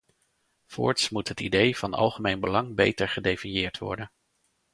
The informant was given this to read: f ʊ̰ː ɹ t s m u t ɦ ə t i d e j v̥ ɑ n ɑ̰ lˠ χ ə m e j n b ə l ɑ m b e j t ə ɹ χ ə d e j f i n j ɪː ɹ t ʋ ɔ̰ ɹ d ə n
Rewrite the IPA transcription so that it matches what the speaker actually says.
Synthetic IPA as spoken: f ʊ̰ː ɹ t s m u t ɦ ə t i d e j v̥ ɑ n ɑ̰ lˠ χ ə m e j n b ə l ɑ ŋ b e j t ə ɹ χ ə d e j f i n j ɪː ɹ t ʋ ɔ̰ ɹ d ə n